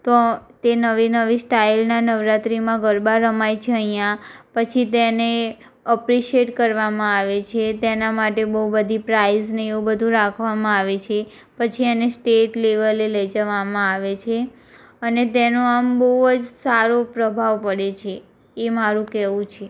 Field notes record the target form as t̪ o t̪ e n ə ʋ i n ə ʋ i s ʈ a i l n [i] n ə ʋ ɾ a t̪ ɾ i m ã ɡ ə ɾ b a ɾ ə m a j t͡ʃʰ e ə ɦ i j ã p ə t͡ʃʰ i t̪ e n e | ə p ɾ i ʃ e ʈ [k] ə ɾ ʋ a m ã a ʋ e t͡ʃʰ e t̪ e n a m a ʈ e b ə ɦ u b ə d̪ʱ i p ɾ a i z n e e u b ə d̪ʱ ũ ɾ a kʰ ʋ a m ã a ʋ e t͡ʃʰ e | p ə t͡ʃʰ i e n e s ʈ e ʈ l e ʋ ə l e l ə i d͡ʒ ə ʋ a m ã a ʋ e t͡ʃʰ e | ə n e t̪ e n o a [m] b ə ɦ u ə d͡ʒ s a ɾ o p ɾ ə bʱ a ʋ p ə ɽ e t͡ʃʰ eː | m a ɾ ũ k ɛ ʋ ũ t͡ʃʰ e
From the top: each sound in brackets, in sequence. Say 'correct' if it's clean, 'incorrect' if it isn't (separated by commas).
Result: incorrect, correct, correct